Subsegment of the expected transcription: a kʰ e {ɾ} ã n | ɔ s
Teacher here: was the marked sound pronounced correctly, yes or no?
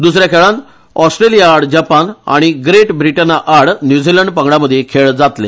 no